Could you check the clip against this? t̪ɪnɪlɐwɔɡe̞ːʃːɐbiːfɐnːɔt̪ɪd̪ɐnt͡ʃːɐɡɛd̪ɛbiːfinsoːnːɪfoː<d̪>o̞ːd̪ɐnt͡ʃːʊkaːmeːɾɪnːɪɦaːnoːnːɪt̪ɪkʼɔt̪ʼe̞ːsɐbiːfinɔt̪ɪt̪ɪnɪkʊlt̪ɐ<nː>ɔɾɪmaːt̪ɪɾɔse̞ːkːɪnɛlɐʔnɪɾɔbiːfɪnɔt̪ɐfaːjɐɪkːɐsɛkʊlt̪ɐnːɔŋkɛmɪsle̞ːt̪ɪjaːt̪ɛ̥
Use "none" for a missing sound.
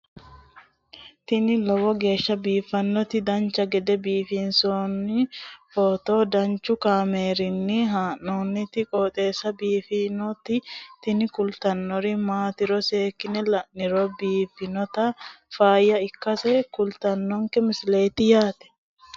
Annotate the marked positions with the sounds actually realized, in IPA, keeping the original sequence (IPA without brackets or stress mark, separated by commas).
t̪, nː